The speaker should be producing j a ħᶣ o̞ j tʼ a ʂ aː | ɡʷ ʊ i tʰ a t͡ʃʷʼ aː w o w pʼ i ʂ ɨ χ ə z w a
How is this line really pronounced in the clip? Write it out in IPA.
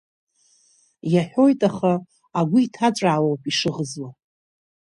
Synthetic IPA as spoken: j a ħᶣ o̞ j tʼ a χ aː | ɡʷ ʊ i tʰ a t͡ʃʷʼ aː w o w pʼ i ʂ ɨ ʁ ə z w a